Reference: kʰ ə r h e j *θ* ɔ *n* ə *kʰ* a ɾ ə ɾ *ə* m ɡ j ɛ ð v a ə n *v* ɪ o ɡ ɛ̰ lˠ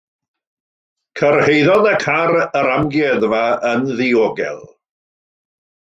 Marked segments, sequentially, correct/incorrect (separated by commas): incorrect, correct, correct, incorrect, incorrect